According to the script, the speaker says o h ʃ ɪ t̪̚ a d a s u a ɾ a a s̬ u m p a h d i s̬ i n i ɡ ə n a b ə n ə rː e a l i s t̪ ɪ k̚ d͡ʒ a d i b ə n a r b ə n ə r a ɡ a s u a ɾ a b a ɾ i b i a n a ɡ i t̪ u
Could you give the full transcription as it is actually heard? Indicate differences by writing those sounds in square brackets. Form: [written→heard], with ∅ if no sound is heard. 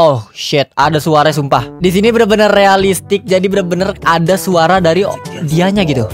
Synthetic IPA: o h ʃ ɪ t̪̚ a d a s u a ɾ a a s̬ u m p a h d i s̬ i n i [ɡ→b] ə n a b ə n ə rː e a l i s t̪ ɪ k̚ d͡ʒ a d i b ə n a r b ə n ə r a [ɡ→d] a s u a ɾ a [b→d] a ɾ i [b→d] i a [n→ɲ] a ɡ i t̪ u

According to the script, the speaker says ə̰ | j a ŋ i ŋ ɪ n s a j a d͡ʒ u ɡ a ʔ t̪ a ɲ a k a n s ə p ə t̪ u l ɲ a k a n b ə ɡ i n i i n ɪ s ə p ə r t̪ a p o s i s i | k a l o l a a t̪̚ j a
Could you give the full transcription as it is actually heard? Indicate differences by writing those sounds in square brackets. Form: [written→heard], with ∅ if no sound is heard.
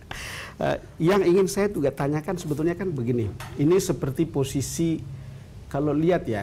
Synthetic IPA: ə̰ | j a ŋ i ŋ ɪ n s a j a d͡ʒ u ɡ a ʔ t̪ a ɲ a k a n s ə [p→b] ə t̪ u l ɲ a k a n b ə ɡ i n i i n [ɪ→i] s ə p ə r t̪ [a→i] p o s i s i | k a l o l [a→i] a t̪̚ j a

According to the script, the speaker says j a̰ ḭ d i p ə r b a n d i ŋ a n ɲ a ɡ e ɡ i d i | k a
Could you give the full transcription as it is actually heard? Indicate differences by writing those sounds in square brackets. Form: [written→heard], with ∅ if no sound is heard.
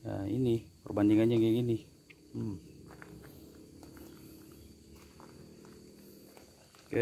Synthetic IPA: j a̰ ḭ [d→n] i p ə r b a n d i ŋ a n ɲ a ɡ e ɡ i [d→n] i | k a

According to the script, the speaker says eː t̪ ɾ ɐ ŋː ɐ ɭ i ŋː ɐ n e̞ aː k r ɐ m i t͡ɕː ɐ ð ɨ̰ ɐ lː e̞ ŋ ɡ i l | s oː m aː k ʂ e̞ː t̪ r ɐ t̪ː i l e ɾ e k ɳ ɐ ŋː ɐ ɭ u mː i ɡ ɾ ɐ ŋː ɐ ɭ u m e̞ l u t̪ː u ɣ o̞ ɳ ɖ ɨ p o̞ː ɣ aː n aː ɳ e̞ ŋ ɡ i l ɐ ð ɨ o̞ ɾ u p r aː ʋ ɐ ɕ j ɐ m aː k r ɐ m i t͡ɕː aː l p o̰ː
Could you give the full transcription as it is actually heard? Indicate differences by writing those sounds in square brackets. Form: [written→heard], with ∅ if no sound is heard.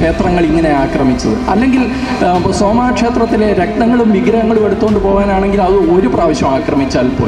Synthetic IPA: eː t̪ [ɾ→r] ɐ ŋː ɐ ɭ i ŋː ɐ n e̞ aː k r ɐ m i t͡ɕː ɐ ð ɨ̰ ɐ lː e̞ ŋ ɡ i l | s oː m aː k ʂ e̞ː t̪ r ɐ t̪ː i l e ɾ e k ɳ ɐ ŋː ɐ ɭ u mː i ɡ ɾ ɐ ŋː ɐ ɭ u m e̞ [l→ɽ] u t̪ː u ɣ o̞ ɳ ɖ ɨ p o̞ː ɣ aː n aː ɳ e̞ ŋ ɡ i l ɐ ð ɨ o̞ ɾ u p r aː ʋ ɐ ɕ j ɐ m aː k r ɐ m i t͡ɕː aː l p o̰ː

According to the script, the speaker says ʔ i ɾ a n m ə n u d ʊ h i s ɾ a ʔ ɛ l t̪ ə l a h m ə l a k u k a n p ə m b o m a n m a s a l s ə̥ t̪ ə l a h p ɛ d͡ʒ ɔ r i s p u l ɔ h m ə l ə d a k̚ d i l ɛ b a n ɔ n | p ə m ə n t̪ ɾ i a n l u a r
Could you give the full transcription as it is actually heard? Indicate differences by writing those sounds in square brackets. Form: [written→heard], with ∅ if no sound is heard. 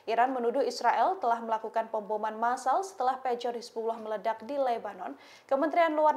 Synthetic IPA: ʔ i ɾ a n m ə n u d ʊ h i s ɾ a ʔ ɛ l t̪ ə l a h m ə l a k u k a n p ə m b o m a n m a s a l s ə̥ t̪ ə l a h p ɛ d͡ʒ ɔ r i s p u l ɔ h m ə l ə d a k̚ d i l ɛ b a n ɔ n | [p→k] ə m ə n t̪ ɾ i a n l u a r

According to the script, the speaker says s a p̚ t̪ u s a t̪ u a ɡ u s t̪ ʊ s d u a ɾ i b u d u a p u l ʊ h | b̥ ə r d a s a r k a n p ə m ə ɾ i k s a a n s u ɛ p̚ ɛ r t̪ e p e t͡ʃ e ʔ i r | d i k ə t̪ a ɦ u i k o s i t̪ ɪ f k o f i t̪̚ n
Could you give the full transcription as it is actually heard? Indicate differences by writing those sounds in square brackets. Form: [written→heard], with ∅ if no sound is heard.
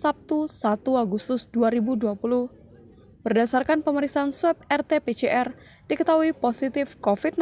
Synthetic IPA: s a p̚ t̪ u s a t̪ u a ɡ u s t̪ ʊ s d u a ɾ i b u d u a p u l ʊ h | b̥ ə r d a s a r k a n p ə m ə ɾ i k s a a n s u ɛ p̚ ɛ r t̪ e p e t͡ʃ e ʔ [i→ɛ] r | d i k ə t̪ a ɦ u i [k→p] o s i t̪ ɪ f k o f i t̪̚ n

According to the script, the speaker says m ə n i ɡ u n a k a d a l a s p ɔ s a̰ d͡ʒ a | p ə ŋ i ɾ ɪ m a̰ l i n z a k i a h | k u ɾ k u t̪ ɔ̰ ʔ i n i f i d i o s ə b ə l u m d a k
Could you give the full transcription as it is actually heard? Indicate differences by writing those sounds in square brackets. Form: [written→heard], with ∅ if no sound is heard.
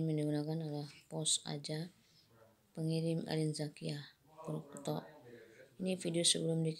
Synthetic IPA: m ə n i ɡ u n a k a [d→n] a l a [s→h] p ɔ s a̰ d͡ʒ a | p ə ŋ i ɾ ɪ m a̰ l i n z a k i a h | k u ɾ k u t̪ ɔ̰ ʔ i n i f i d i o s ə b ə l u m d [a→i] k

